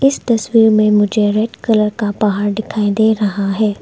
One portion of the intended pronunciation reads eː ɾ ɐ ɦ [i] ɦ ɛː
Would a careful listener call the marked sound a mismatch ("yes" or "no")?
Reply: yes